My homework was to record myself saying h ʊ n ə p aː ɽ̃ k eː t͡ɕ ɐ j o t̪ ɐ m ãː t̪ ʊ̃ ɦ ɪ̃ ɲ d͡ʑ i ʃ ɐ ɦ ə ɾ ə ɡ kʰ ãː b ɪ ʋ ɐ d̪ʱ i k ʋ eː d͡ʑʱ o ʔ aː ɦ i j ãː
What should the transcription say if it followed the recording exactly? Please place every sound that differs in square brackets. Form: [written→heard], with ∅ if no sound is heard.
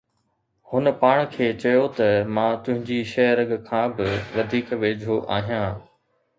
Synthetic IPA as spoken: h ʊ n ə p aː ɽ̃ [k→kʰ] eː t͡ɕ ɐ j o t̪ ɐ m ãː t̪ ʊ̃ ɦ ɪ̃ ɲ d͡ʑ i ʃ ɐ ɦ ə ɾ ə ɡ kʰ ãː b ɪ ʋ ɐ d̪ʱ [i→iː] k ʋ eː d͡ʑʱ o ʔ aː ɦ i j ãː